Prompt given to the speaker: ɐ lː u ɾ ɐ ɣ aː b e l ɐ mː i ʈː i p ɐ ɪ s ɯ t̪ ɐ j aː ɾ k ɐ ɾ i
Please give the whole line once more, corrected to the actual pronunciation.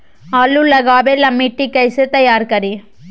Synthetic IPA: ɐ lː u l ɐ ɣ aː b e l ɐ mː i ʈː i k ɐ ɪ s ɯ t̪ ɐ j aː ɾ k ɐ ɾ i